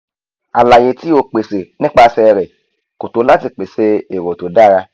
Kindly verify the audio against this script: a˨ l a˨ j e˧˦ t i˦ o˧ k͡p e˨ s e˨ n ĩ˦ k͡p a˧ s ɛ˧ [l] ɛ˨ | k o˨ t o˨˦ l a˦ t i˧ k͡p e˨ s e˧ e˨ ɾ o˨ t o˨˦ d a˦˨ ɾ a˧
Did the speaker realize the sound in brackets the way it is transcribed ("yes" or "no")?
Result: no